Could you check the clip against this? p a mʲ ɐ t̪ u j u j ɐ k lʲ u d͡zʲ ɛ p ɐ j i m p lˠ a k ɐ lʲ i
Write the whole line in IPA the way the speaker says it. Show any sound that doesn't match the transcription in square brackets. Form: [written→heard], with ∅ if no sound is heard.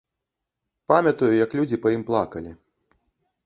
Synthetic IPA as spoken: p a mʲ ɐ t̪ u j u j ɐ k lʲ u d͡zʲ [ɛ→i] p ɐ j i m p lˠ a k ɐ lʲ i